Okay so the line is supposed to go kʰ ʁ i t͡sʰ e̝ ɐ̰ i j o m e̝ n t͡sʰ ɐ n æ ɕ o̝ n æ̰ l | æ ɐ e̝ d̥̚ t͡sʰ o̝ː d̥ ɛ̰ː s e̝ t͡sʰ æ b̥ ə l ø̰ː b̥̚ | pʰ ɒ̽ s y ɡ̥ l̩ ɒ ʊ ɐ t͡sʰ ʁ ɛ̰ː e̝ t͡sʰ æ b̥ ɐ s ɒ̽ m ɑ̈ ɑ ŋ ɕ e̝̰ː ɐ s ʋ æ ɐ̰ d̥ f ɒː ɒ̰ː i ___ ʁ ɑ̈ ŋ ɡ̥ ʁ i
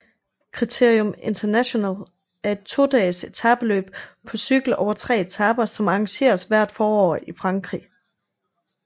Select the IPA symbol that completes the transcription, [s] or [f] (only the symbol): f